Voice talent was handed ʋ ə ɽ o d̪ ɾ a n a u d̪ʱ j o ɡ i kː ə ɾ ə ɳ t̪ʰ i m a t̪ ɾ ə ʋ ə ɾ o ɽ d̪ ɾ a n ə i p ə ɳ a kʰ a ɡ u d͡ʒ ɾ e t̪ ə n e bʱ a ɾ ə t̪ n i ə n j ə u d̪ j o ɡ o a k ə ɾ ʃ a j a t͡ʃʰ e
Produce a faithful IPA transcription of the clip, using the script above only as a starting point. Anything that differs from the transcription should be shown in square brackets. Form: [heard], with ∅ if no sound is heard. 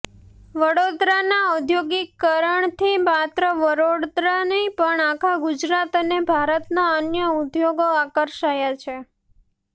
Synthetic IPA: ʋ ə ɽ o d̪ ɾ a n a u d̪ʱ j o ɡ i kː ə ɾ ə ɳ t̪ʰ i m a t̪ ɾ ə ʋ ə ɾ o ɽ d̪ ɾ a n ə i p ə ɳ a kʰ a ɡ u d͡ʒ ɾ [a] t̪ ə n e bʱ a ɾ ə t̪ n [a] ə n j ə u d̪ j o ɡ o a k ə ɾ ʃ a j a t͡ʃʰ e